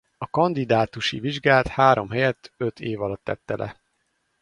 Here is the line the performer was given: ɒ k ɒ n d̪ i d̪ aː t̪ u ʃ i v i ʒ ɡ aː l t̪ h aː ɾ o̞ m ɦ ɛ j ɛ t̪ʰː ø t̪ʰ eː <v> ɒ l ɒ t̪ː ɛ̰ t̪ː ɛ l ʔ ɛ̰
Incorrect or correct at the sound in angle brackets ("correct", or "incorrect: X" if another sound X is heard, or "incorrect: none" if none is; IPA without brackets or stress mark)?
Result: correct